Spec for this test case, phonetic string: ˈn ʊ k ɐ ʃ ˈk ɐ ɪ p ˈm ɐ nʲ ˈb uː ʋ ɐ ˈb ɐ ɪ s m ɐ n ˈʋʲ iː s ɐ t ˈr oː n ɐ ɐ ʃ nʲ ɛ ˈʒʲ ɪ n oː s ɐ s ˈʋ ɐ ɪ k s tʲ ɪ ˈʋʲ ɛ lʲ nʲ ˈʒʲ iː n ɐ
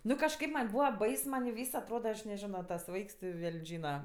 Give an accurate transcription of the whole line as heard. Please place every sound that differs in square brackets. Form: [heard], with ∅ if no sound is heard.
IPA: ˈn ʊ k ɐ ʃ ˈk ɐ ɪ p ˈm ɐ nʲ ˈb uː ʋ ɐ ˈb ɐ ɪ s m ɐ n ˈʋʲ iː s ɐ t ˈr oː [d] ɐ ɐ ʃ nʲ ɛ ˈʒʲ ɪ n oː [t] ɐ s ˈʋ ɐ ɪ k s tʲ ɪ ˈʋʲ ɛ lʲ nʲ ˈʒʲ iː n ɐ